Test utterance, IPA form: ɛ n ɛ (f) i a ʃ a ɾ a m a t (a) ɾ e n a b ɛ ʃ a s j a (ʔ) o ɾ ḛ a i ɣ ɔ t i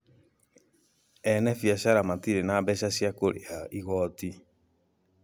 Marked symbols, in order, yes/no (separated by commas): yes, no, no